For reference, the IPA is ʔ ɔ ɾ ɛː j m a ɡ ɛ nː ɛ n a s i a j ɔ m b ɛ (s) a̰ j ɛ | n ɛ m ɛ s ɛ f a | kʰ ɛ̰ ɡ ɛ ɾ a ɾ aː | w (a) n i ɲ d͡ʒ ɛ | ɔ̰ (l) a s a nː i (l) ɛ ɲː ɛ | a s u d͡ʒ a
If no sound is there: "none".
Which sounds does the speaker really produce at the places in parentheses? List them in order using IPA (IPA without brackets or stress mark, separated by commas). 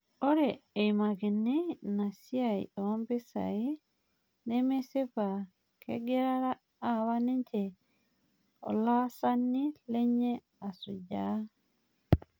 s, a, l, l